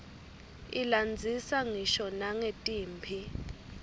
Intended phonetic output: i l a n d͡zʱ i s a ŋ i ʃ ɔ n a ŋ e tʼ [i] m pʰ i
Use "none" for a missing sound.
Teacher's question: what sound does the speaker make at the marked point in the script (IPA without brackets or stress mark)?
iː